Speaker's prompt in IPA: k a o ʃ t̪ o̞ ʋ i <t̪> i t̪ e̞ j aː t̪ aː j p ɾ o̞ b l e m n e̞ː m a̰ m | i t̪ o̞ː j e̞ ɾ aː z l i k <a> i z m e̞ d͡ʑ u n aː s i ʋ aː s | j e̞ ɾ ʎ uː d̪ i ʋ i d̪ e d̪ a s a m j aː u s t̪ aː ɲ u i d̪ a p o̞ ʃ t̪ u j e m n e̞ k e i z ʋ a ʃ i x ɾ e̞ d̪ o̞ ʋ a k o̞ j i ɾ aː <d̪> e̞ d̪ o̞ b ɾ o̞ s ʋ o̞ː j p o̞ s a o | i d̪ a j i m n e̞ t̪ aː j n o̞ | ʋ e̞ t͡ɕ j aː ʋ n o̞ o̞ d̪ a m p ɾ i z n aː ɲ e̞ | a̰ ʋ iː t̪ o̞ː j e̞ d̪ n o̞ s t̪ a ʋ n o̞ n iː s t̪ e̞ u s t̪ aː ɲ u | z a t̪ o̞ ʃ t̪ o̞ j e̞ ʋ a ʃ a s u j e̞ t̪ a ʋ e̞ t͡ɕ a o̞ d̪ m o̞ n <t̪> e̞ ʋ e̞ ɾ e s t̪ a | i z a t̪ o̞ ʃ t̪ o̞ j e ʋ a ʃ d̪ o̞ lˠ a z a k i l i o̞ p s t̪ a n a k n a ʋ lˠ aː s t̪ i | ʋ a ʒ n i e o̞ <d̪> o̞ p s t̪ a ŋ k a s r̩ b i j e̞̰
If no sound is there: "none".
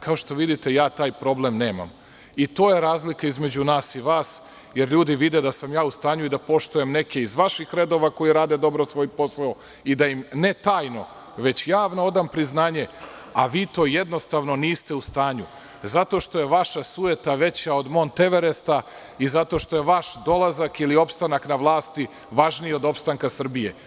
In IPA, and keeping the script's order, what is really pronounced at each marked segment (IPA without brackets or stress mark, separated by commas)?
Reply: d̪, a, d̪, t̪, d̪